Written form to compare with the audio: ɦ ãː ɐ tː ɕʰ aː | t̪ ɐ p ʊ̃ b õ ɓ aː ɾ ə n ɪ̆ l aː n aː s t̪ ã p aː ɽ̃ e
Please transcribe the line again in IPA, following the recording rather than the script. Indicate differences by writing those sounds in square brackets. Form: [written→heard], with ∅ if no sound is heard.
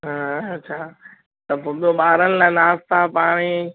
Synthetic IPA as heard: ɦ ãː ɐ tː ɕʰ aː | t̪ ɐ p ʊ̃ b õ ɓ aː ɾ ə n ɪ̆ l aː n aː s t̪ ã p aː ɽ̃ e